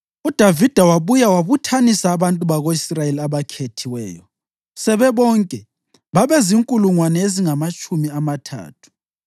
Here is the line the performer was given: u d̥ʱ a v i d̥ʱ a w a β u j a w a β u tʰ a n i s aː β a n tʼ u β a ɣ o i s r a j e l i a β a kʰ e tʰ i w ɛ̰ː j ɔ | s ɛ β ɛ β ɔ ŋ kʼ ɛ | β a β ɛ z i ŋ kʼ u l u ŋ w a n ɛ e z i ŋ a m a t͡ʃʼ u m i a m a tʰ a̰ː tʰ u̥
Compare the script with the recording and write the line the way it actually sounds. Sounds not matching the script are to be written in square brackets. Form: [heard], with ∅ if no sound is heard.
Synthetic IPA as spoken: u d̥ʱ a v i d̥ʱ a w a β u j a w a β u tʰ a n i s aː β a n tʼ u β a ɣ o i s r a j e l i a β a kʰ e tʰ i w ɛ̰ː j ɔ | s ɛ β ɛ β ɔ ŋ kʼ ɛ | β a β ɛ z i ŋ kʼ u l u ŋ w a n ɛ e z i ŋ a m a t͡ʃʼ u m i a m a tʰ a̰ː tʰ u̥

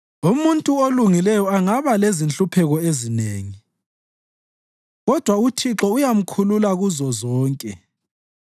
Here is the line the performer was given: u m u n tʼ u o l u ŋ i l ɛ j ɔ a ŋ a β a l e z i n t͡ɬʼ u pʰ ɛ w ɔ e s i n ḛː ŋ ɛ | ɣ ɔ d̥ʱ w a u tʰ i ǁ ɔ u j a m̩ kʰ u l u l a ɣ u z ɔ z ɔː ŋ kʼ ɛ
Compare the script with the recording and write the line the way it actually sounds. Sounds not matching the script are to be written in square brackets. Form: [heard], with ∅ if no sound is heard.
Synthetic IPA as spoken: u m u n tʼ u o l u ŋ i l ɛ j ɔ a ŋ a β a l e z i n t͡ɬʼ u pʰ ɛ [ɣ] ɔ e [z] i n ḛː ŋ [i] | ɣ ɔ d̥ʱ w a u tʰ i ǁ ɔ u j a m̩ kʰ u l u l a ɣ u z ɔ z ɔː ŋ kʼ ɛ

